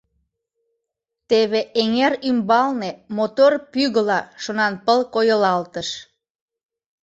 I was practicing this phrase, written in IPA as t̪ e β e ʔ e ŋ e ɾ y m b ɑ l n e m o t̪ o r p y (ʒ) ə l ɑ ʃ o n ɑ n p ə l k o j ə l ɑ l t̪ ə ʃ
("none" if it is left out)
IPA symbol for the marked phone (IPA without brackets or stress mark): ɣ